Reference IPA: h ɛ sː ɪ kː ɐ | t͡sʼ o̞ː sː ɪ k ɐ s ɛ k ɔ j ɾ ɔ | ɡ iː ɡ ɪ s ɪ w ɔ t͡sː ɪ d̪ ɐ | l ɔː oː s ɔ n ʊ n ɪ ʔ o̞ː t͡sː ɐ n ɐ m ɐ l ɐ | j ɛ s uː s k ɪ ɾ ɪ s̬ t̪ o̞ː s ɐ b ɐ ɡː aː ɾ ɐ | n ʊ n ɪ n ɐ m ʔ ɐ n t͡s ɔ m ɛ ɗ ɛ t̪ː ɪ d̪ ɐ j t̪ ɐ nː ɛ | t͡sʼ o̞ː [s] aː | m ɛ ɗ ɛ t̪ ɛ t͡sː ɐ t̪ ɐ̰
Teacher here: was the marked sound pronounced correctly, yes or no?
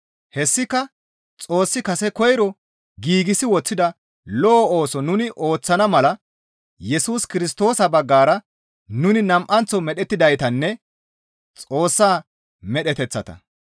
no